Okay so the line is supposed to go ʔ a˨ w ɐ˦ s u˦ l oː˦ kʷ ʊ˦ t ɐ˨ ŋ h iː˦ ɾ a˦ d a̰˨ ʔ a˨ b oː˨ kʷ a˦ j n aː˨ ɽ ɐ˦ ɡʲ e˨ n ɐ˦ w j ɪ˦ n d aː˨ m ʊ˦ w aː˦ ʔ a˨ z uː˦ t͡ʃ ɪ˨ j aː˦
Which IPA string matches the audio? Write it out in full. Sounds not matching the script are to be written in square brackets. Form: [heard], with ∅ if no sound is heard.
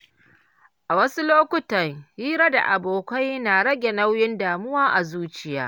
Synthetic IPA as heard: ʔ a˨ w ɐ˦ s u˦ l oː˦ kʷ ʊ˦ t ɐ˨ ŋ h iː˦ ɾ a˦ d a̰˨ ʔ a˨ b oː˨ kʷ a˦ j n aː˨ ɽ ɐ˦ ɡʲ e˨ n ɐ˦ w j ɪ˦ n d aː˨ m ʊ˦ w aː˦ ʔ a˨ z uː˦ t͡ʃ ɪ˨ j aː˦